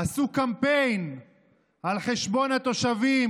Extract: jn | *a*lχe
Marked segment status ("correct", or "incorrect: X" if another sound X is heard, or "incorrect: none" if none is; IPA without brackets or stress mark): correct